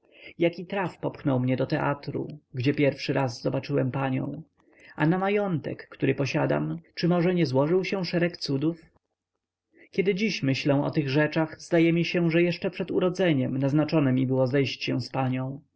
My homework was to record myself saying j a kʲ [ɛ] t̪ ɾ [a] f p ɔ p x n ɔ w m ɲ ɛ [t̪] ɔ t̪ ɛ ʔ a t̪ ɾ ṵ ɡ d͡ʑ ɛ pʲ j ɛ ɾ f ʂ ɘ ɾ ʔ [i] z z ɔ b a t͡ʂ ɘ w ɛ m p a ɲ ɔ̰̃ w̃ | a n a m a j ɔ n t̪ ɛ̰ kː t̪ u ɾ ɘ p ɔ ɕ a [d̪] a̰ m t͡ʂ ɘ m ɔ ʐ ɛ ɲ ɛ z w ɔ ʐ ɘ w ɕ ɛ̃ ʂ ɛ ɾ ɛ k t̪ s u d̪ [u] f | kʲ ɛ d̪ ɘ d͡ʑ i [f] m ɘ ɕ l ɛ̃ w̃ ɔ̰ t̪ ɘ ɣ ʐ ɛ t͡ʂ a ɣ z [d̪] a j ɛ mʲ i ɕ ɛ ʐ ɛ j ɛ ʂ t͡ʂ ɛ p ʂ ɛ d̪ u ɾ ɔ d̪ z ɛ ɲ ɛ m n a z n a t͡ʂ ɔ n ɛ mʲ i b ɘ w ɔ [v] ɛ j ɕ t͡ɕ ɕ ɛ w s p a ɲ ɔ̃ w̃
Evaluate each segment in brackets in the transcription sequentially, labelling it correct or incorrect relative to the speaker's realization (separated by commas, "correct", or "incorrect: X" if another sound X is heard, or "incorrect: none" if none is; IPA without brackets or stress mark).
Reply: incorrect: i, correct, incorrect: d̪, incorrect: a, correct, correct, incorrect: ɕ, correct, incorrect: z